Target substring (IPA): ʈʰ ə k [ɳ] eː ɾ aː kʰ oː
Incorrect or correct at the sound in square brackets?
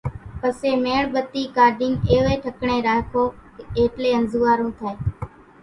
correct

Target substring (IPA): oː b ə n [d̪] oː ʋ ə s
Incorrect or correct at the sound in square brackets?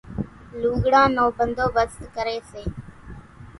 correct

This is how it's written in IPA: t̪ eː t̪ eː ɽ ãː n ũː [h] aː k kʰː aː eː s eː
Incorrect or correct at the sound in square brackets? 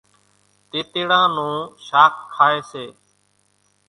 incorrect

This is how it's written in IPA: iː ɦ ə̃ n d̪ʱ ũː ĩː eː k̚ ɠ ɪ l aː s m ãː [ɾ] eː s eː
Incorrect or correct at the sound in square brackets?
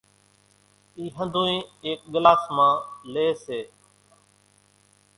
incorrect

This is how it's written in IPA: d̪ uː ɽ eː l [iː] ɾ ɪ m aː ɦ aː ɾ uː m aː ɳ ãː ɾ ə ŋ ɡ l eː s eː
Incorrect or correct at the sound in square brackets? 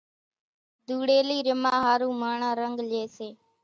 correct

